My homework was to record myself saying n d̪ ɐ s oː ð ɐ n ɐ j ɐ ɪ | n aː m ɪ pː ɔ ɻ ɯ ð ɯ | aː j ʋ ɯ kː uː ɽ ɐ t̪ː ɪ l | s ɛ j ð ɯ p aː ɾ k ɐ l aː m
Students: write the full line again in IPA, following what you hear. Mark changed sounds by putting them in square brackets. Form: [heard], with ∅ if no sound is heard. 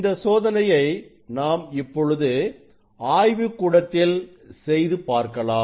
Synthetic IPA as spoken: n d̪ ɐ s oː ð ɐ n ɐ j ɐ ɪ | n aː m ɪ pː ɔ ɻ ɯ ð ɯ | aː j ʋ ɯ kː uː ɽ ɐ t̪ː ɪ l | s ɛ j ð ɯ p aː ɾ k ɐ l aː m